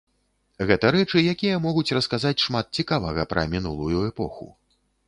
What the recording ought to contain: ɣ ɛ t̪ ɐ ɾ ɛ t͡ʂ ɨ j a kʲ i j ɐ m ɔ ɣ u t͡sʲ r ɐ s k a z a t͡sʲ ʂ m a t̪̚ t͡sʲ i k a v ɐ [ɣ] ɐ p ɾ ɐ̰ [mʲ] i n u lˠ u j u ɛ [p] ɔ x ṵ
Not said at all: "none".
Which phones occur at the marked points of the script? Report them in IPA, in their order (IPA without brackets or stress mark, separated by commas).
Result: ɣ, mʲ, p